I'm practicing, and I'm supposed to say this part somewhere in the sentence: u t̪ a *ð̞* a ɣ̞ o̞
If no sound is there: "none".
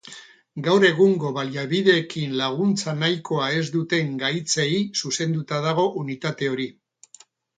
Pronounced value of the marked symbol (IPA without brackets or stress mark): ð̞